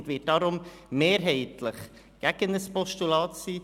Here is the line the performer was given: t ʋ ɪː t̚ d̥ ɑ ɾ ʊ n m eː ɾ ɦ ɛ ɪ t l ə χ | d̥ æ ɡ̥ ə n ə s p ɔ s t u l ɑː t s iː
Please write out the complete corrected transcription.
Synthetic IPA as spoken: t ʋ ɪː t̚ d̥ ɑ ɾ ʊ m m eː ɾ ɦ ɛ ɪ t l ə χ | ɡ̥ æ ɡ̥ ə n ə s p ɔ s t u l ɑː t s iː